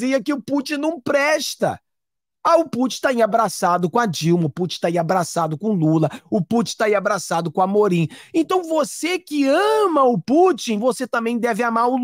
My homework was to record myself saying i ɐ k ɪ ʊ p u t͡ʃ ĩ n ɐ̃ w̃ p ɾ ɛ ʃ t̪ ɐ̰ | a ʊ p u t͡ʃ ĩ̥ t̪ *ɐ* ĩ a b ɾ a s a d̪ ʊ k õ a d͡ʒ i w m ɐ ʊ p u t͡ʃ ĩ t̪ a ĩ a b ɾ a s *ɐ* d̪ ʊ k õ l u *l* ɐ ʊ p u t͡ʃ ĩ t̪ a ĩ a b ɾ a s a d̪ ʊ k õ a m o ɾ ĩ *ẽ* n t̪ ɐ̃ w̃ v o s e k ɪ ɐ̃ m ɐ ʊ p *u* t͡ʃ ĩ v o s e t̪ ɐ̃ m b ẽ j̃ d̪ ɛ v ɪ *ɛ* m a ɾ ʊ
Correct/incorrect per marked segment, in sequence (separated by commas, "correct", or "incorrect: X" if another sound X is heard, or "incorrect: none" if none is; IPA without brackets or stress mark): incorrect: a, incorrect: a, correct, correct, correct, incorrect: a